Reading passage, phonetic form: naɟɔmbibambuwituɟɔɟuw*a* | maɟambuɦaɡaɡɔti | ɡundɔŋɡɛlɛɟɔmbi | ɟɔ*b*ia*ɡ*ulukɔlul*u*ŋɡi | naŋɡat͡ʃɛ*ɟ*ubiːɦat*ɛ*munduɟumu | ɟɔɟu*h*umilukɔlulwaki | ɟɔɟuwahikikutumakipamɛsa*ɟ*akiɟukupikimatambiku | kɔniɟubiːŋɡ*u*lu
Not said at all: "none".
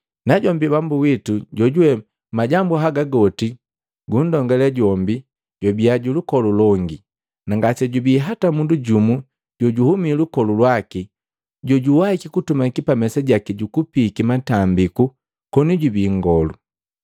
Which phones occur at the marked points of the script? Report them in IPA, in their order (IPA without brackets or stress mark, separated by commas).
ɛ, b, ɟ, ɔ, ɟ, a, h, ɟ, ɔ